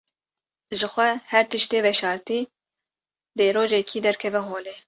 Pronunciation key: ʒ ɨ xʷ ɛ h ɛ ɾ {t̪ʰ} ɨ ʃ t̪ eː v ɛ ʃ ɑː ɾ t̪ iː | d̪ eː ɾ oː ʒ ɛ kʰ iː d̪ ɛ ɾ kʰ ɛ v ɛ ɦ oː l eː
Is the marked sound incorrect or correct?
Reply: incorrect